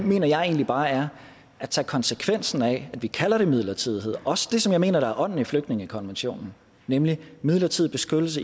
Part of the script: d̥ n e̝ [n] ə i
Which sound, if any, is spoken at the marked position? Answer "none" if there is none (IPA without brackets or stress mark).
ŋ